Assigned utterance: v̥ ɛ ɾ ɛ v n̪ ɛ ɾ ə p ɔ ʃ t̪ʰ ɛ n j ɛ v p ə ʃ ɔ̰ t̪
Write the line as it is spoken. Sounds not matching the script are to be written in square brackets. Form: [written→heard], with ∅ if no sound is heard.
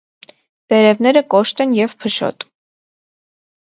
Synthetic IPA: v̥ ɛ ɾ ɛ v n̪ ɛ ɾ ə [p→k] ɔ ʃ [t̪ʰ→t̪] ɛ n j ɛ v [p→pʰ] ə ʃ ɔ̰ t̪